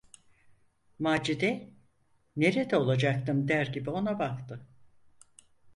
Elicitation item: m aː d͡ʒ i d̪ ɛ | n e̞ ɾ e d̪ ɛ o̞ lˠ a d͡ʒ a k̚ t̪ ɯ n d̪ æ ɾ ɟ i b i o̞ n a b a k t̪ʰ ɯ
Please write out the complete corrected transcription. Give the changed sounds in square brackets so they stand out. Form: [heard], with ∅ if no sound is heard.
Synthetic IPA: m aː d͡ʒ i d̪ ɛ | n e̞ ɾ e d̪ ɛ o̞ lˠ a d͡ʒ a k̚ t̪ ɯ [m] d̪ æ ɾ ɟ i b i o̞ n a b a k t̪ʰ ɯ

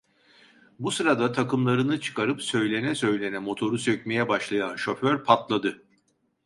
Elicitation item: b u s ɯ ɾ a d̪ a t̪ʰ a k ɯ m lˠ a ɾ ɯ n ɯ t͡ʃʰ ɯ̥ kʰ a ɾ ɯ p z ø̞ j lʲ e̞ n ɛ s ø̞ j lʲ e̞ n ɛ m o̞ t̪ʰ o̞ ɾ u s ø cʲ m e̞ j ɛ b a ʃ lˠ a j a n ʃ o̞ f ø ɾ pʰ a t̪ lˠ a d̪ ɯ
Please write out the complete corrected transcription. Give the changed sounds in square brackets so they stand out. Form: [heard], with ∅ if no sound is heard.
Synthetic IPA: b u s ɯ ɾ a d̪ a t̪ʰ a k ɯ m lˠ a ɾ ɯ n ɯ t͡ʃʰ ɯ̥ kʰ a ɾ ɯ p [s] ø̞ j lʲ e̞ n ɛ s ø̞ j lʲ e̞ n ɛ m o̞ t̪ʰ o̞ ɾ u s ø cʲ m e̞ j ɛ b a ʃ lˠ a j a n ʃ o̞ f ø ɾ pʰ a t̪ lˠ a d̪ ɯ

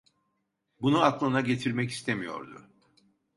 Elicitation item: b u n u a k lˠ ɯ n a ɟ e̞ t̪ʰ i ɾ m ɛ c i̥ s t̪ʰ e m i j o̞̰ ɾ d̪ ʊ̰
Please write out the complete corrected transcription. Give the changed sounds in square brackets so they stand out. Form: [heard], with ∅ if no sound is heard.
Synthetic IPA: b u n u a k lˠ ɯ n a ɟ e̞ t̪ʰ i ɾ m ɛ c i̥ s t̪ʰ e m i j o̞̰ ɾ d̪ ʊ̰

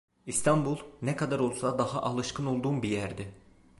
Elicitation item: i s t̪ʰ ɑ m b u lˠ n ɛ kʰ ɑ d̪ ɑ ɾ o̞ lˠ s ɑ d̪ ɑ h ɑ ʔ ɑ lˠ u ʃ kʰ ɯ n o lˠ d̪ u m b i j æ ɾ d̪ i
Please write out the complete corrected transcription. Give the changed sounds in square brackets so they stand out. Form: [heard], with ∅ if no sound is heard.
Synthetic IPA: i s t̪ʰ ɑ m b u lˠ n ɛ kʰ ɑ d̪ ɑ ɾ o̞ lˠ s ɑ d̪ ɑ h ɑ ʔ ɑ lˠ [ɯ] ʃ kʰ ɯ n o lˠ d̪ u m b i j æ ɾ d̪ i

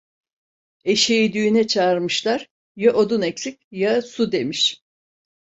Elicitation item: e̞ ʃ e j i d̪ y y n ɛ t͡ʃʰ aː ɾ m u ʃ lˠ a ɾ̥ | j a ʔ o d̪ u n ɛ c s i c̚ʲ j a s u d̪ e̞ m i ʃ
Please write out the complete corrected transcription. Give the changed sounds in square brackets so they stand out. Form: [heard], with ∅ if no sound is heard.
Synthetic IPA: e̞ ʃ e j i d̪ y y n ɛ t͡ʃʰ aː ɾ m [ɯ] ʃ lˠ a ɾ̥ | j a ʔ o d̪ u n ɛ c s i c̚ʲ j a s u d̪ e̞ m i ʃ

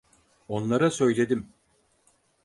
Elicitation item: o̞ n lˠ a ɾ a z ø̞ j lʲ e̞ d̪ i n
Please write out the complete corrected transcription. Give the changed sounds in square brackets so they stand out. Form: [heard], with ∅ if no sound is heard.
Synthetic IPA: o̞ n lˠ a ɾ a [s] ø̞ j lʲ e̞ d̪ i [m]

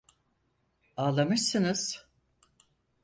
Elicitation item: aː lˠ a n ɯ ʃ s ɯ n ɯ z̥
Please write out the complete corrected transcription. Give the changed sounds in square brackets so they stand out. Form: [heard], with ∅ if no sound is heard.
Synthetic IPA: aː lˠ a [m] ɯ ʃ s ɯ n ɯ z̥

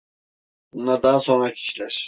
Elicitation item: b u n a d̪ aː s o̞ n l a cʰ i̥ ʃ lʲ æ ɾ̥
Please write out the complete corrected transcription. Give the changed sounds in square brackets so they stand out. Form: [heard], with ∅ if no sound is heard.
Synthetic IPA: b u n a d̪ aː s o̞ n [ɾ] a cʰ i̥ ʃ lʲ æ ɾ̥

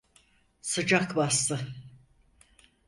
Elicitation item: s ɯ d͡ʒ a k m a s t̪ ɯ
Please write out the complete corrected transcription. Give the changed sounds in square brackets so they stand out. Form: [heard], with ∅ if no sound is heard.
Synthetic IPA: s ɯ d͡ʒ a k [b] a s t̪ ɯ

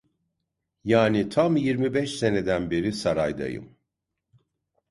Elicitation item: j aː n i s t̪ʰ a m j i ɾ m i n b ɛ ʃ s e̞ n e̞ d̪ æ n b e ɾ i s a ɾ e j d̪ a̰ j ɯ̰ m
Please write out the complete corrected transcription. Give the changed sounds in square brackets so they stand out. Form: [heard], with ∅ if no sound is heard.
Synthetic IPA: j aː n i [∅] t̪ʰ a m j i ɾ m i [∅] b ɛ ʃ s e̞ n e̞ d̪ æ n b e ɾ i s a ɾ [a] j d̪ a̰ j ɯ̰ m

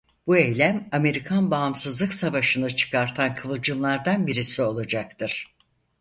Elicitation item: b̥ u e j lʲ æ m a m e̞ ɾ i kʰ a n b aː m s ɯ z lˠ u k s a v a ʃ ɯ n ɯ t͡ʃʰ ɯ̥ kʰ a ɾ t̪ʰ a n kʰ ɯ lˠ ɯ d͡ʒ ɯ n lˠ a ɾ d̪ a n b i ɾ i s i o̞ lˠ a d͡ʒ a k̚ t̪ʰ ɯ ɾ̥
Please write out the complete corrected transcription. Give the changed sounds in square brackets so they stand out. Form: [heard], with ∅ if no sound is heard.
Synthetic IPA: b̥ u e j lʲ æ m a m e̞ ɾ i kʰ a n b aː m s ɯ z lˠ [ɯ] k s a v a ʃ ɯ n ɯ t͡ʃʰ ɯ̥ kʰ a ɾ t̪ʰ a n kʰ ɯ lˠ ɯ d͡ʒ ɯ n lˠ a ɾ d̪ a n b i ɾ i s i o̞ lˠ a d͡ʒ a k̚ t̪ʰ ɯ ɾ̥

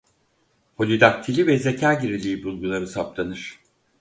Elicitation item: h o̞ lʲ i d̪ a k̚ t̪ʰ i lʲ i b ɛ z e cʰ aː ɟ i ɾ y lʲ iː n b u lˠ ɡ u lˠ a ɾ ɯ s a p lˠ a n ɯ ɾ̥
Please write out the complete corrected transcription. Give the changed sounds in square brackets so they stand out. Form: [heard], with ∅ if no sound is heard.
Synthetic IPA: h o̞ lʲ i d̪ a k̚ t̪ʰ i lʲ i [v] ɛ z e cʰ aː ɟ i ɾ [i] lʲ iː [∅] b u lˠ ɡ u lˠ a ɾ ɯ s a p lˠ a n ɯ ɾ̥

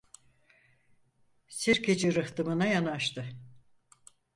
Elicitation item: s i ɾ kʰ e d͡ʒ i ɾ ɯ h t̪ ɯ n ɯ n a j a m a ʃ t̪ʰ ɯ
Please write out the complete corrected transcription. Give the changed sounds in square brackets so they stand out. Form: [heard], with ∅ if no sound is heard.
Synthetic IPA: s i ɾ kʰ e d͡ʒ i ɾ ɯ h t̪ ɯ [m] ɯ n a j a [n] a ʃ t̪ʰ ɯ

